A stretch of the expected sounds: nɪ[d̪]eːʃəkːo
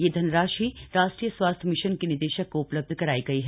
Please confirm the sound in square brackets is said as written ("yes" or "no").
yes